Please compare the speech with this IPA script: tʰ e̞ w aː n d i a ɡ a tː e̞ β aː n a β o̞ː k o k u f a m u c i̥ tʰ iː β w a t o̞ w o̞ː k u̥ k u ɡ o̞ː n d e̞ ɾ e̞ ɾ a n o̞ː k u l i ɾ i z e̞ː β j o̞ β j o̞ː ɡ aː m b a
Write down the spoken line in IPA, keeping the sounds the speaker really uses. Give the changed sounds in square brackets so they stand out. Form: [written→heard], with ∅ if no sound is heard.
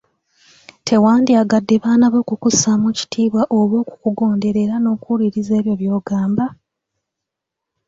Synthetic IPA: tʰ e̞ w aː n d i a ɡ a [tː→dː] e̞ β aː n a β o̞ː k [o→u] k u [f→s] a m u c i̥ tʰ iː β w a [t→ʔ] o̞ [w→β] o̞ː k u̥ k u ɡ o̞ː n d e̞ ɾ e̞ ɾ a n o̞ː k u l i ɾ i z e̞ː β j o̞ β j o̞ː ɡ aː m b a